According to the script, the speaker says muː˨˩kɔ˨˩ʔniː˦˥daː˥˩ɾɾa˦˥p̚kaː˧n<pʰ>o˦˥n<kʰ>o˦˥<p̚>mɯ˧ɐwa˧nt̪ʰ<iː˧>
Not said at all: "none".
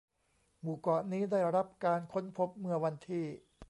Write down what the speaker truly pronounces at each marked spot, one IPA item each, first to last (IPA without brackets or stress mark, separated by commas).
kʰ, pʰ, p̚, iː˥˩